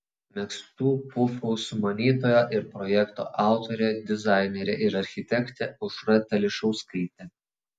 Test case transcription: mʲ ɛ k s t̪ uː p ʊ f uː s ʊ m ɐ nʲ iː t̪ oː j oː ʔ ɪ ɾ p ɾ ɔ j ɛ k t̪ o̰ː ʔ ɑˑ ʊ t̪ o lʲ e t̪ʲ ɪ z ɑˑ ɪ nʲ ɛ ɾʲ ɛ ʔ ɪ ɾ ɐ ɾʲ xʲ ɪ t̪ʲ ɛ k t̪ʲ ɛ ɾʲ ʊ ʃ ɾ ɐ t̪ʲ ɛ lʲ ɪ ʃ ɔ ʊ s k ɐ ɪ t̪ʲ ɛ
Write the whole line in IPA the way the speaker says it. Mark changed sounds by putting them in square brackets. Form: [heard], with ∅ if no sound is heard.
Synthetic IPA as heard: mʲ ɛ k s t̪ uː p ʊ f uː s ʊ m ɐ nʲ iː t̪ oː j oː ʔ ɪ ɾ p ɾ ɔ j ɛ k t̪ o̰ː ʔ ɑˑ ʊ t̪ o [ɾʲ] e [d̪ʲ] ɪ z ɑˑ ɪ nʲ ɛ ɾʲ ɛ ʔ ɪ ɾ ɐ ɾʲ xʲ ɪ t̪ʲ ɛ k t̪ʲ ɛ [∅] ʊ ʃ ɾ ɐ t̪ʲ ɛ lʲ ɪ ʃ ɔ ʊ s k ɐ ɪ t̪ʲ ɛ